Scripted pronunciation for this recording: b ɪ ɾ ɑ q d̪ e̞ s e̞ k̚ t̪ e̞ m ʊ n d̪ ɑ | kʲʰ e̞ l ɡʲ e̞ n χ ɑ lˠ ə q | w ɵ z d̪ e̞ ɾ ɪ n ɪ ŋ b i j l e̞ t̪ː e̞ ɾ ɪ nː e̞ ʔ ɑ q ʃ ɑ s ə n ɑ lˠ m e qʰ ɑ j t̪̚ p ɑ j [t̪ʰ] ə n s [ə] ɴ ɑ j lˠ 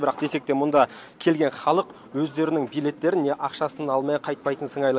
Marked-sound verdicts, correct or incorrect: incorrect, correct

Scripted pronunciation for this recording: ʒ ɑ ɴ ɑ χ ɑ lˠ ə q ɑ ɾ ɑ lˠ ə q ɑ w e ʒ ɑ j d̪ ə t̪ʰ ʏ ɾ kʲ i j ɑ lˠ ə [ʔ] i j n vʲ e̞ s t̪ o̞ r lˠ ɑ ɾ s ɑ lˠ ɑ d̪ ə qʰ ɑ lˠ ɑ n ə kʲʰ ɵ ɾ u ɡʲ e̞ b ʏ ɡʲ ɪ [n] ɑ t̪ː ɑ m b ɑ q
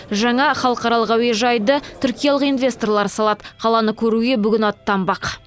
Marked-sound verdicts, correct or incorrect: incorrect, correct

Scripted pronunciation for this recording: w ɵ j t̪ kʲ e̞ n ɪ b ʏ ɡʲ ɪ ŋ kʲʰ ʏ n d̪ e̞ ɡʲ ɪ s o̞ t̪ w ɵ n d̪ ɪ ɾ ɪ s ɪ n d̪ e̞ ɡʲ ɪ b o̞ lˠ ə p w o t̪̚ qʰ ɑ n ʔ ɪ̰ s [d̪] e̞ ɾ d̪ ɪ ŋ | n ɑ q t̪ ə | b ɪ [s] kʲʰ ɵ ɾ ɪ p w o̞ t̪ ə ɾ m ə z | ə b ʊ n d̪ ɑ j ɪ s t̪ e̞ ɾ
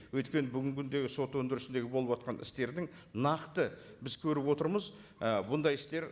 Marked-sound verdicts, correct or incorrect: incorrect, incorrect

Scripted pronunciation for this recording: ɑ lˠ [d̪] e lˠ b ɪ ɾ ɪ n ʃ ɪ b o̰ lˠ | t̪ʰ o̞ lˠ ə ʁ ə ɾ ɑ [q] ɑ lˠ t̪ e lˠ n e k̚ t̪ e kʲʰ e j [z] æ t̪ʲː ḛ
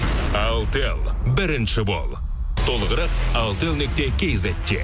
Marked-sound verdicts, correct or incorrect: incorrect, correct, correct

